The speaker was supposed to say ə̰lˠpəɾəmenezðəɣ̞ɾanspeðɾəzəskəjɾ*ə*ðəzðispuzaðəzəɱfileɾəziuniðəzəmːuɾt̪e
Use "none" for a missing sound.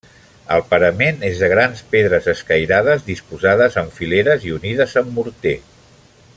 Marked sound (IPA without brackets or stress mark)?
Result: a